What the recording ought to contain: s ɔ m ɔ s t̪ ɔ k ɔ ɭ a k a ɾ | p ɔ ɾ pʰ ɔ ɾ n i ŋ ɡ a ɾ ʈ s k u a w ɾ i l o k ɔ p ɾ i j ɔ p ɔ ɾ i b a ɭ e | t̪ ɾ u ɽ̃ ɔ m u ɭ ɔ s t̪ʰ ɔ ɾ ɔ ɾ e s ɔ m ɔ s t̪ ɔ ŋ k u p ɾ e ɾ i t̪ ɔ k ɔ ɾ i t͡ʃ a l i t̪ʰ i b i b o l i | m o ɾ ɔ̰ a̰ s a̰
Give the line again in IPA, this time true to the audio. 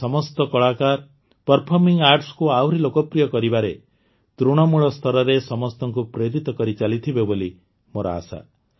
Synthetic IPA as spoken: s ɔ m ɔ s t̪ ɔ k ɔ ɭ a k a ɾ | p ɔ ɾ pʰ ɔ ɾ m i ŋ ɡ a ɾ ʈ s k u a w ɾ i l o k ɔ p ɾ i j ɔ k ɔ ɾ i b a ɾ e | t̪ ɾ u ɽ̃ ɔ m u ɭ ɔ s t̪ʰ ɔ ɾ ɔ ɾ e s ɔ m ɔ s t̪ ɔ ŋ k u p ɾ e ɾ i t̪ ɔ k ɔ ɾ i t͡ʃ a l i t̪ʰ i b e b o l i | m o ɾ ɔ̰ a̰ s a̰